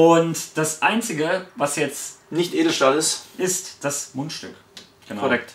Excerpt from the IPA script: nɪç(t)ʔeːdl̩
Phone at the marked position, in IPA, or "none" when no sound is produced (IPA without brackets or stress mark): t